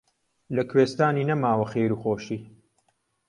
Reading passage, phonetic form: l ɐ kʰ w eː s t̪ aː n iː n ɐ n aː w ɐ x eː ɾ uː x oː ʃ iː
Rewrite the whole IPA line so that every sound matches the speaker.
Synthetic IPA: l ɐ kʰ w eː s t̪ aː n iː n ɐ m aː w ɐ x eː ɾ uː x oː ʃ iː